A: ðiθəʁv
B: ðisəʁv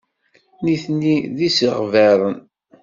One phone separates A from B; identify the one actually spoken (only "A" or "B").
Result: B